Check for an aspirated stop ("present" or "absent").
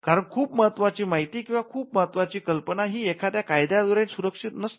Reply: present